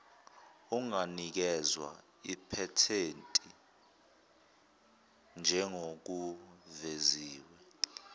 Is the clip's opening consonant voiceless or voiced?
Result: voiced